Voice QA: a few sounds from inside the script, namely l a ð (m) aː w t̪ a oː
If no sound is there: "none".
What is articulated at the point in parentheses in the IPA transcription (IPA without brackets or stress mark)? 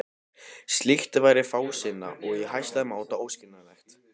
m